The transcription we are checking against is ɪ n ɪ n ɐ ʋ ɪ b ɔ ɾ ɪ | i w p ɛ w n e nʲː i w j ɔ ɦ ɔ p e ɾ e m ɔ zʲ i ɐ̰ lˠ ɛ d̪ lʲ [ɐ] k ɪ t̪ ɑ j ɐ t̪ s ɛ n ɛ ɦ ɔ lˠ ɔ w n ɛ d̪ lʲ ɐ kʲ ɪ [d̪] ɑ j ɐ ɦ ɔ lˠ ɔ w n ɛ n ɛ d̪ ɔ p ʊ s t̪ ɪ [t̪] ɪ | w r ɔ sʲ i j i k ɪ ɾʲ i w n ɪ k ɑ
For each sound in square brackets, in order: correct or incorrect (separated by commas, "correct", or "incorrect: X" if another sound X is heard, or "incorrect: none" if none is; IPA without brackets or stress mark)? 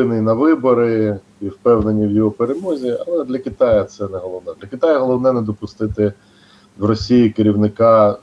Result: correct, incorrect: t̪, correct